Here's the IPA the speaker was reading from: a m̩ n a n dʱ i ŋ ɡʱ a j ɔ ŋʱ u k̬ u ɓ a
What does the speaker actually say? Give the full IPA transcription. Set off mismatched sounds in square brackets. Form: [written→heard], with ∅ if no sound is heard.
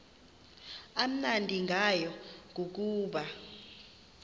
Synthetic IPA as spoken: a m̩ n a n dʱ i ŋ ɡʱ a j ɔ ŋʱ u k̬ [u→uː] ɓ a